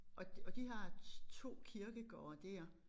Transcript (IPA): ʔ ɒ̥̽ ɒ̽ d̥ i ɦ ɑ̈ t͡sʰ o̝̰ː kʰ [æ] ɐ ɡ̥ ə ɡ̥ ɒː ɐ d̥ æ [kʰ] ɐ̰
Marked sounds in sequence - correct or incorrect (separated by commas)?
incorrect, incorrect